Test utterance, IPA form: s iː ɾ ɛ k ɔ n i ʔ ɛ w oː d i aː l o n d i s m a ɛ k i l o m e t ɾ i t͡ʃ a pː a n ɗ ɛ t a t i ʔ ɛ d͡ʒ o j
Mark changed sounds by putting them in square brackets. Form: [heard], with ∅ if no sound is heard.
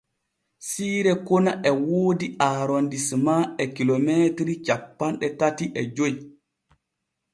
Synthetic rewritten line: s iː ɾ ɛ k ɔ n [a] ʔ ɛ w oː d i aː [ɾ] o n d i s m a ɛ k i l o m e t ɾ i t͡ʃ a pː a n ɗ ɛ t a t i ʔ ɛ d͡ʒ o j